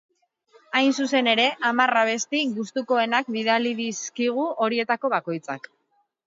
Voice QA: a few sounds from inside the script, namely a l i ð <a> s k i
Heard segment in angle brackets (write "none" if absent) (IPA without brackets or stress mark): i